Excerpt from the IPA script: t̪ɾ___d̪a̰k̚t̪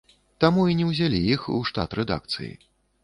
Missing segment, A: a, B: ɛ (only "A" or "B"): B